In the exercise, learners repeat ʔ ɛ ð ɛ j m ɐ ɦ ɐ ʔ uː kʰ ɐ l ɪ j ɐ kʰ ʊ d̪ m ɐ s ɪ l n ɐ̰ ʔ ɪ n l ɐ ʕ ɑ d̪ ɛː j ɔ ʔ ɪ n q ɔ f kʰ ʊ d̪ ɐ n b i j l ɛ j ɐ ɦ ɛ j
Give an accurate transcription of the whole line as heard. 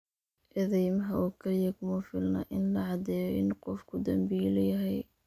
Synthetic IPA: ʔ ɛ ð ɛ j m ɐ ɦ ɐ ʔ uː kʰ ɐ l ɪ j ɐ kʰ ʊ m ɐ f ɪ l n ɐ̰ ʔ ɪ n l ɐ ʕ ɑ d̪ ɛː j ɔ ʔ ɪ n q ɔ f kʰ ʊ d̪ ɐ m b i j l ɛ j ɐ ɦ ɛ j

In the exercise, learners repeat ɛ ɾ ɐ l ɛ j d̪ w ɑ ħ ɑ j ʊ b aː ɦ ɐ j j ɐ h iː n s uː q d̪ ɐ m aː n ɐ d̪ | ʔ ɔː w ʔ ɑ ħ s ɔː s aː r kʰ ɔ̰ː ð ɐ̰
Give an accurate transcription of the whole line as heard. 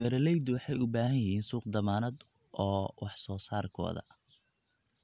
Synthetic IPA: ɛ ɾ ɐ l ɛ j d̪ w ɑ ħ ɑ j ʊ b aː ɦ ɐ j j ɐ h iː n s uː q d̪ ɐ m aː n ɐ d̪ | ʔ ɔː w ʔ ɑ ħ s ɔː s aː r kʰ ɔ̰ː ð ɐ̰

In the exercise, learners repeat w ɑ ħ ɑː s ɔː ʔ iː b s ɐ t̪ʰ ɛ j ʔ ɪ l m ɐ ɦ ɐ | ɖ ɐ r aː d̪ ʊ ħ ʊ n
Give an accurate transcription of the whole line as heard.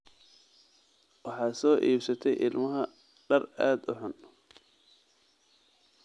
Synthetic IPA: w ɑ ħ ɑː s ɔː ʔ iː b s ɐ t̪ʰ ɛ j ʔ ɪ l m ɐ ɦ ɐ | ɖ ɐ r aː d̪ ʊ ħ ʊ n

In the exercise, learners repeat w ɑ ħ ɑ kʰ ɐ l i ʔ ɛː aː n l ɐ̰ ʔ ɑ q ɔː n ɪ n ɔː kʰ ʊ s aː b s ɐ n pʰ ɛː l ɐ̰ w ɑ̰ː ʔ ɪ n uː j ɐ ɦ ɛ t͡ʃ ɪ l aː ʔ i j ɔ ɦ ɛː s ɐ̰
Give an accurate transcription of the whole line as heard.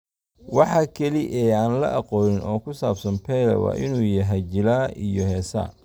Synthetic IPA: w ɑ ħ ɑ kʰ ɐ l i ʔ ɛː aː n l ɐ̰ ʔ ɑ q ɔː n ɪ n ɔː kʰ ʊ s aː b s ɐ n pʰ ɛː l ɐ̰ w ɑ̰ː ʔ ɪ n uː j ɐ ɦ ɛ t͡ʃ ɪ l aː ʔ i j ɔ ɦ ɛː s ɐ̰

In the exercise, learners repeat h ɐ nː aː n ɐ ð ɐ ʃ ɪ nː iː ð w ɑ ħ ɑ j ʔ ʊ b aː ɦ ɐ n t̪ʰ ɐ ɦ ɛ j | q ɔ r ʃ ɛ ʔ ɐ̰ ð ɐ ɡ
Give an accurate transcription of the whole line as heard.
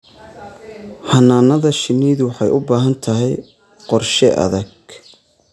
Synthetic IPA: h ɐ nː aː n ɐ ð ɐ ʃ ɪ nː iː ð w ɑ ħ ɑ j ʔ ʊ b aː ɦ ɐ n t̪ʰ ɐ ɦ ɛ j | q ɔ r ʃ ɛ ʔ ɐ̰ ð ɐ ɡ

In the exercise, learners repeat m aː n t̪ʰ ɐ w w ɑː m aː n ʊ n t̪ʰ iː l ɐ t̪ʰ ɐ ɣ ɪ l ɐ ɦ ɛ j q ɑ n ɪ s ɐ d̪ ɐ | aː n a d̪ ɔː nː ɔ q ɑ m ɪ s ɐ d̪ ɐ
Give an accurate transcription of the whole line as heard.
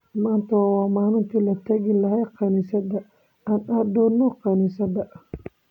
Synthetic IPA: m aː n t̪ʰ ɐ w w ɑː m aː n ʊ n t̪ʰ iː l ɐ t̪ʰ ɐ ɣ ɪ l ɐ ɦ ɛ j q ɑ n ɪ s ɐ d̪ ɐ | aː n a d̪ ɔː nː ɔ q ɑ n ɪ s ɐ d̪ ɐ

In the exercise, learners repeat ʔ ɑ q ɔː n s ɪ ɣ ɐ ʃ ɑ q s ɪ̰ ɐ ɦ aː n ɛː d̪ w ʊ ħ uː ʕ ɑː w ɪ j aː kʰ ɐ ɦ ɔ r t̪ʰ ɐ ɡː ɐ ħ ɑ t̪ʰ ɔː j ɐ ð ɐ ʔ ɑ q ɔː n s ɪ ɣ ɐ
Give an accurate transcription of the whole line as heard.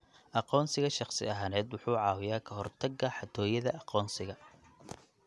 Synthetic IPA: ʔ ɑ q ɔː n s ɪ ɣ ɐ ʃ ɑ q s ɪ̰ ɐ ɦ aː n ɛː d̪ w ʊ ħ uː ʕ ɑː w ɪ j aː kʰ ɐ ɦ ɔ r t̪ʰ ɐ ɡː ɐ ħ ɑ t̪ʰ ɔː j ɐ ð ɐ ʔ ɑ q ɔː n s ɪ ɣ ɐ

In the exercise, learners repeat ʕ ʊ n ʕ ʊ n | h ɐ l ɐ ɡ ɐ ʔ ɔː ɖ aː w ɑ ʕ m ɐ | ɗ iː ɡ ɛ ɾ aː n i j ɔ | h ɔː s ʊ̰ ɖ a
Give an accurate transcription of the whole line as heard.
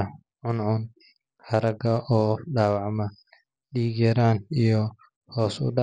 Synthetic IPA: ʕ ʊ n ʕ ʊ n | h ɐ ɾ ɐ ɡ ɐ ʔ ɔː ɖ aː w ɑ ʕ m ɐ | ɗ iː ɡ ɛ ɾ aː n i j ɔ | h ɔː s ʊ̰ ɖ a

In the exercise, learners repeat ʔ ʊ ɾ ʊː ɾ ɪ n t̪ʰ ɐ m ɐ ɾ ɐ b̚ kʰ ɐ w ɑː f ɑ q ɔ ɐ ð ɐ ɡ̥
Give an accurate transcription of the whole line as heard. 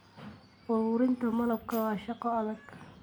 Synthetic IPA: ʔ ʊ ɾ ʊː ɾ ɪ n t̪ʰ ɐ m ɐ l ɐ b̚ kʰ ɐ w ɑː ʃ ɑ q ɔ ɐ ð ɐ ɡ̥

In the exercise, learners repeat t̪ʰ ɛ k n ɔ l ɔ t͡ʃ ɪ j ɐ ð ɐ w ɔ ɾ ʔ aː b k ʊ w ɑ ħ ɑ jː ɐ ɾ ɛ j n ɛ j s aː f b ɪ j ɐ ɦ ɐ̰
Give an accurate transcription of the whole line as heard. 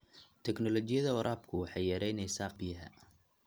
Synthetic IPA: t̪ʰ ɛ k n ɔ l ɔ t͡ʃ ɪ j ɐ ð ɐ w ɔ ɾ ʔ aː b kʰ ʊ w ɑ ħ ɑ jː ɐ ɾ ɛ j n ɛ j s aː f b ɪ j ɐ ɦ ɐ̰

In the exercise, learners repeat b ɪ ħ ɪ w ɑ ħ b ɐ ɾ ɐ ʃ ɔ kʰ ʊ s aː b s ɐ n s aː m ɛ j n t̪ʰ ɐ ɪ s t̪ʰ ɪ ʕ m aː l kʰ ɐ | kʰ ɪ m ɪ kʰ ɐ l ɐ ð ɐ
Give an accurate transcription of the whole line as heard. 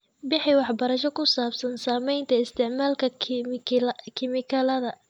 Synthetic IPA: b ɪ ħ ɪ w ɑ ħ b ɐ ɾ ɐ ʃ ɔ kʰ ʊ s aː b s ɐ n s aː m ɛ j n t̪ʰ ɐ ɪ s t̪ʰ ɪ ʕ m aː l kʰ ɐ | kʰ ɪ m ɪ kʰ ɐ l ɐ ð ɐ

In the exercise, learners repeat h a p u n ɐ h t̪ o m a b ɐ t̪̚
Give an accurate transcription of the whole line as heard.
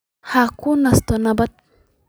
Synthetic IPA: h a k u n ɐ s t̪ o n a b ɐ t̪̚

